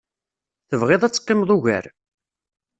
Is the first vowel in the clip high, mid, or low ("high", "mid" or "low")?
mid